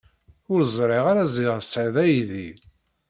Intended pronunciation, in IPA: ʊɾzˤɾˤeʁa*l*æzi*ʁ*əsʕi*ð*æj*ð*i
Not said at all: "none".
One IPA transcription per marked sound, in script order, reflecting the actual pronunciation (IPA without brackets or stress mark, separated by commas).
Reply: ɾ, ʁ, ð, ð